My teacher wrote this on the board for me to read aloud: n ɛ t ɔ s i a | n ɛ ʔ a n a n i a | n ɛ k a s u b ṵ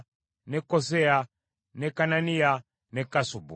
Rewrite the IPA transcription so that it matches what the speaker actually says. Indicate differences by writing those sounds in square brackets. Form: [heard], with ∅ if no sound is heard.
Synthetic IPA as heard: n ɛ [k] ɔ s [ɛ] a | n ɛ [k] a n a n i a | n ɛ k a s u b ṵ

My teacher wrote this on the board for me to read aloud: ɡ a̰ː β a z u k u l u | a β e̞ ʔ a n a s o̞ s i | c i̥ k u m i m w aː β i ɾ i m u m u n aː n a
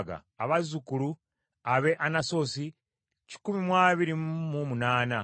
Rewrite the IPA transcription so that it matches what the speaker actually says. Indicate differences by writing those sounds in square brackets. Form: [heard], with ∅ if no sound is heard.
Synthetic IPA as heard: ɡ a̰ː β a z u k u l u | a β e̞ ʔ a n a s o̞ s i | c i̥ k u m i m w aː β i ɾ i m u m u n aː n a

